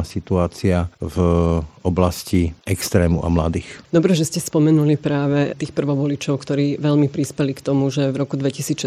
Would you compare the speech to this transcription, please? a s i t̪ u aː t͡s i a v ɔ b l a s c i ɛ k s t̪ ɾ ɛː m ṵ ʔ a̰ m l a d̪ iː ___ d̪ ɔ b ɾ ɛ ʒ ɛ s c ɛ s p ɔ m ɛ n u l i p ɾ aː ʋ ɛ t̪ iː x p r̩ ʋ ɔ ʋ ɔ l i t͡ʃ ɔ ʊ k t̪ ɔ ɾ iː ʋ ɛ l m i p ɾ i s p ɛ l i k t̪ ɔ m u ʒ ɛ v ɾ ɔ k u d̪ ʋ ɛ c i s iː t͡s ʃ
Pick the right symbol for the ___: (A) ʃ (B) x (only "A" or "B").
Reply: B